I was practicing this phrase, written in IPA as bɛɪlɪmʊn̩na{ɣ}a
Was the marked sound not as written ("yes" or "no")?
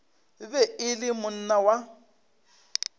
yes